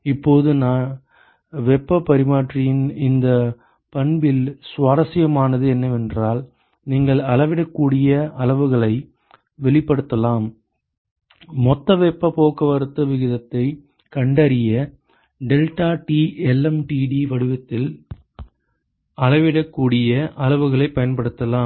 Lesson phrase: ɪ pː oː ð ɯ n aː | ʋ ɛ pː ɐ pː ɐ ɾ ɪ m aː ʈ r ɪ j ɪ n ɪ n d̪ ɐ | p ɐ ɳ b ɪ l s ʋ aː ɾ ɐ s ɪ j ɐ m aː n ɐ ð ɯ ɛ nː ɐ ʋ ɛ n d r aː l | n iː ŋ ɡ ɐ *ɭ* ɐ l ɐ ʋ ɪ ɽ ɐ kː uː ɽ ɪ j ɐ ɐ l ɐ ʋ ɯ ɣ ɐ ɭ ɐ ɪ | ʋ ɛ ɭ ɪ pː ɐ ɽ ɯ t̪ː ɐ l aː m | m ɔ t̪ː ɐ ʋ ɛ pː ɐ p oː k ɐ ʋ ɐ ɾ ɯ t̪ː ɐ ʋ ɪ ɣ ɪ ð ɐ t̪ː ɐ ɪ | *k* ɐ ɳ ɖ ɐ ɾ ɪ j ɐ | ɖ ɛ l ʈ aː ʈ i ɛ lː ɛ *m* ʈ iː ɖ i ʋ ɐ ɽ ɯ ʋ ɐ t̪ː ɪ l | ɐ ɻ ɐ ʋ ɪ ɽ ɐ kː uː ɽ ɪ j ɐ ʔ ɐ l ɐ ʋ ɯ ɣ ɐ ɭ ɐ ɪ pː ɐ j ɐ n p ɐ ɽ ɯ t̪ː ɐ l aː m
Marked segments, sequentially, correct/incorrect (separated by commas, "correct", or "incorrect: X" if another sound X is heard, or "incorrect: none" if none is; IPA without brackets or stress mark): correct, correct, correct